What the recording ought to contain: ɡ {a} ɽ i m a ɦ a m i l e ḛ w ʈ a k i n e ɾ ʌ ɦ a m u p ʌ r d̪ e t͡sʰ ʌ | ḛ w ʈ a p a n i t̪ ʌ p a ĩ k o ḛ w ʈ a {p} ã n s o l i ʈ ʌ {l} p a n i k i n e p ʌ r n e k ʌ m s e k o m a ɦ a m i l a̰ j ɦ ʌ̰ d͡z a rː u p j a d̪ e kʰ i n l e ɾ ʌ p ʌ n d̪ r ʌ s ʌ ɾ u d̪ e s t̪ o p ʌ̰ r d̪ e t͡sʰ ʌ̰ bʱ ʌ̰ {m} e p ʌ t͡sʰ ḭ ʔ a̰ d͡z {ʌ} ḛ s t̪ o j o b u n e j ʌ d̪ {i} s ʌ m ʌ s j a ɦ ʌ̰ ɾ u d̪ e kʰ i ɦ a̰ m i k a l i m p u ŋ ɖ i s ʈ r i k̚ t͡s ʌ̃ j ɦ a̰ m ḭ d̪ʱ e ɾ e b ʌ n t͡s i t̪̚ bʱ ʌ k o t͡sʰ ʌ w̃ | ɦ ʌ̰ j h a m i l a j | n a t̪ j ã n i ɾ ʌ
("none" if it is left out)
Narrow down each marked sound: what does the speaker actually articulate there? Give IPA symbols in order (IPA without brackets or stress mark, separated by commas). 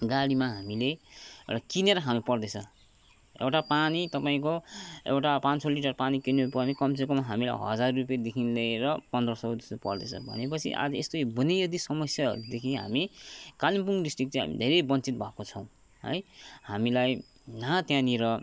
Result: a, p, r, n, ʌ, i